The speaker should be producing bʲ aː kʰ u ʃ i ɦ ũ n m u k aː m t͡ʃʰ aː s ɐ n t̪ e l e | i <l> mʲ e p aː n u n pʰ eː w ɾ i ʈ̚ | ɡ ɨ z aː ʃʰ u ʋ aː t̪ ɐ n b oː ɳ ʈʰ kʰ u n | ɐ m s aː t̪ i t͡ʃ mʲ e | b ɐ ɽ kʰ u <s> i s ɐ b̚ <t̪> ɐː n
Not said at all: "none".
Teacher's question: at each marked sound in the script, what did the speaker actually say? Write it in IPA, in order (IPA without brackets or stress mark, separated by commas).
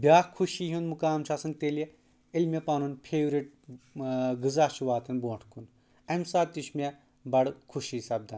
l, ʃ, d̪